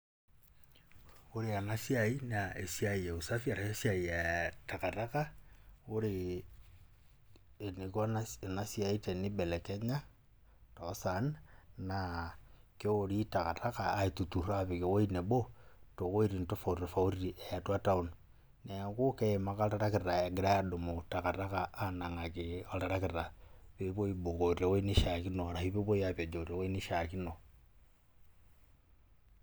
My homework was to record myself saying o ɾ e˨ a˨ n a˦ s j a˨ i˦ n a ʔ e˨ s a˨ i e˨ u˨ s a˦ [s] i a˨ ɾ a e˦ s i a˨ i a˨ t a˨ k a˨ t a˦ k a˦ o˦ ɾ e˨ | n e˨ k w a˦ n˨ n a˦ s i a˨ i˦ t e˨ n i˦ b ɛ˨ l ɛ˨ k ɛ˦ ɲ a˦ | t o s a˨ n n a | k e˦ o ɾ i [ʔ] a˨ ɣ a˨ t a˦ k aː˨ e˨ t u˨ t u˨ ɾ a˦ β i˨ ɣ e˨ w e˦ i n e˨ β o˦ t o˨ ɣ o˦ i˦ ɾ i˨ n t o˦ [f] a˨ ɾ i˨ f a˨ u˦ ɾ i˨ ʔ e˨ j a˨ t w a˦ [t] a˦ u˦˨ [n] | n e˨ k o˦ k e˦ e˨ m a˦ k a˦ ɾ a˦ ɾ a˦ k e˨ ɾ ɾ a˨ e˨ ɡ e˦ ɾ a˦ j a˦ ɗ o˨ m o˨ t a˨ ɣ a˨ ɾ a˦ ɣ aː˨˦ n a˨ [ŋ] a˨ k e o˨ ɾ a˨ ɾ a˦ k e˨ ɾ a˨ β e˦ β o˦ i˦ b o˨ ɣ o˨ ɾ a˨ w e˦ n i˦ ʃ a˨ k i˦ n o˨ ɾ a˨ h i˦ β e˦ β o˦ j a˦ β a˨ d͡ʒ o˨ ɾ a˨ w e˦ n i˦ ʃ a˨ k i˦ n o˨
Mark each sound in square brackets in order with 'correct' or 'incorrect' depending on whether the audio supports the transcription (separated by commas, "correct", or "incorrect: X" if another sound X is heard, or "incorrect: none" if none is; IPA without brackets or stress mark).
incorrect: f, incorrect: t, correct, correct, correct, correct